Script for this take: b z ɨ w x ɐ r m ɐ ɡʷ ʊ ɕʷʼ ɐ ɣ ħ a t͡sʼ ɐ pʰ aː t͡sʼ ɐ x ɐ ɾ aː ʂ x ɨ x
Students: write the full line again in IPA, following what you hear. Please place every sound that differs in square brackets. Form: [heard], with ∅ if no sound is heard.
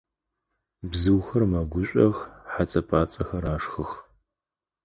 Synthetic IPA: b z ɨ w x ɐ r m ɐ ɡʷ ʊ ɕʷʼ ɐ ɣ ħ a t͡sʼ ɐ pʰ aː t͡sʼ ɐ x ɐ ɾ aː ʂ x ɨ x